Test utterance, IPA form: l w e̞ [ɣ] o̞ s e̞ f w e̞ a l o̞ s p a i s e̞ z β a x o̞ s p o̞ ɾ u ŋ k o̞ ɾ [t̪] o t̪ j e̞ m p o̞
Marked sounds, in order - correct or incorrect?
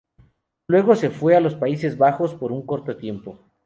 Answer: correct, correct

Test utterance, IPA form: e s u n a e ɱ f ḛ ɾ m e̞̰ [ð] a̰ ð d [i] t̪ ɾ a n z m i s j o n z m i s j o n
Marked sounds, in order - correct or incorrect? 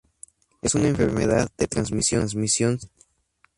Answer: correct, incorrect: e

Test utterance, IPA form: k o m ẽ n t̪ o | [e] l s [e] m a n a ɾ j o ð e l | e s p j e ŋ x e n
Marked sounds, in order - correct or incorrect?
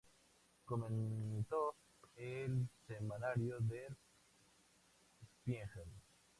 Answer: correct, correct

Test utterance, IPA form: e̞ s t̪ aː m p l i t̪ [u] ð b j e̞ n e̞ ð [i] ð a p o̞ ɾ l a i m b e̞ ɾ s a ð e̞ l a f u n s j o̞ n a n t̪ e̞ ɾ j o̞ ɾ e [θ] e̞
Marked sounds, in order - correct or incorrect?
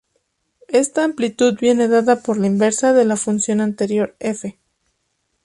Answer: correct, incorrect: a, incorrect: f

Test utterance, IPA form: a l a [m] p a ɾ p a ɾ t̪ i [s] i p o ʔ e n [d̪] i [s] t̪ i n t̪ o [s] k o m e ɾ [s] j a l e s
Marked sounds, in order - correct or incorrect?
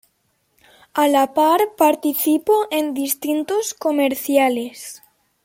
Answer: incorrect: none, incorrect: θ, correct, correct, correct, incorrect: θ

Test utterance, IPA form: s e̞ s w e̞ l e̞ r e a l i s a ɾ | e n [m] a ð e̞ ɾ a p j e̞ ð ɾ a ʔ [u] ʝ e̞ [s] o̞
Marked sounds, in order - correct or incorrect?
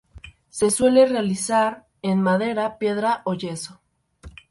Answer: correct, incorrect: o, correct

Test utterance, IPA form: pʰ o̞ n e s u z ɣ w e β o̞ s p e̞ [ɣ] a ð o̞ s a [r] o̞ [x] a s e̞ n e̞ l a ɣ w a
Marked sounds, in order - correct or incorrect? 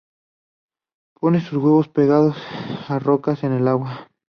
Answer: correct, correct, incorrect: k

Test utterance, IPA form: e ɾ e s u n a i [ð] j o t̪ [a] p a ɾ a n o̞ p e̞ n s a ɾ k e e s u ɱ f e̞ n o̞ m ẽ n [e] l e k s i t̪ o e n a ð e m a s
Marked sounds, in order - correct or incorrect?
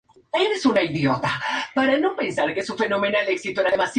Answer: correct, correct, incorrect: a

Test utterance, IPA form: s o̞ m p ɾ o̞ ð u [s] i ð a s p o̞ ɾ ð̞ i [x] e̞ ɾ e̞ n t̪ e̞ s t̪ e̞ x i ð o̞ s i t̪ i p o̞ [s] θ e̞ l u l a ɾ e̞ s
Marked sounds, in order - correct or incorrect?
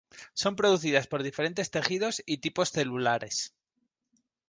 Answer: incorrect: θ, incorrect: f, correct

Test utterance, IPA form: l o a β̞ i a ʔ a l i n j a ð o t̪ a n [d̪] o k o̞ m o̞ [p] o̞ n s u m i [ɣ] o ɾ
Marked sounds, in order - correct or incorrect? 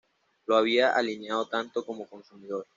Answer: incorrect: t̪, incorrect: k, incorrect: ð

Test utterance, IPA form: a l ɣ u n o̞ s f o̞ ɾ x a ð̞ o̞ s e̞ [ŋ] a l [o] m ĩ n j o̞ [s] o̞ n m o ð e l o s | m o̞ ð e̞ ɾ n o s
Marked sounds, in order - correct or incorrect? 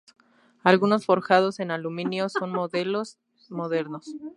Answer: incorrect: n, incorrect: u, correct

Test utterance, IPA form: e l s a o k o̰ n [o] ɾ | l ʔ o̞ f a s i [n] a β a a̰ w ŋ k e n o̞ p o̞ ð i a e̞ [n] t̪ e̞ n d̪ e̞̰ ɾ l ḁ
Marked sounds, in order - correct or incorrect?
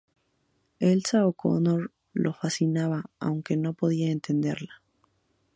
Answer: correct, correct, correct

